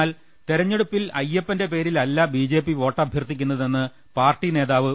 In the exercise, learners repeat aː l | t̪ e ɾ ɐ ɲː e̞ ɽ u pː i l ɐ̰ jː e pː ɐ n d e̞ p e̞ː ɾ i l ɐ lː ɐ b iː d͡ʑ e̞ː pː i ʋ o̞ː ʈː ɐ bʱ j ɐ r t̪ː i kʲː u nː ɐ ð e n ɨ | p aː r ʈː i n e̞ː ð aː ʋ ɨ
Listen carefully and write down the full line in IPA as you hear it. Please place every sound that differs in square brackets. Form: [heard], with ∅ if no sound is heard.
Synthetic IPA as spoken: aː l | t̪ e ɾ ɐ ɲː e̞ ɽ u pː i l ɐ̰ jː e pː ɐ n d e̞ p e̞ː ɾ i l ɐ lː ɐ b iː d͡ʑ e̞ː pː i ʋ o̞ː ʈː ɐ bʱ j ɐ r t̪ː i kʲː u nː ɐ ð e [nː] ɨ | p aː r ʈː i n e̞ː ð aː ʋ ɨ